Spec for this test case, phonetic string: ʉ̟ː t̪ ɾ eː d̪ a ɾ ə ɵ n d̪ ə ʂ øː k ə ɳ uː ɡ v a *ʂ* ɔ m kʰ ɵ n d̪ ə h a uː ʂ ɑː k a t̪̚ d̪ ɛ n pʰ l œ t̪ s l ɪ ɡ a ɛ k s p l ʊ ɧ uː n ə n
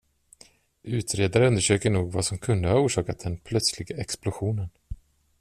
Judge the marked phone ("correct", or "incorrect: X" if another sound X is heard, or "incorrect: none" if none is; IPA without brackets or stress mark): incorrect: s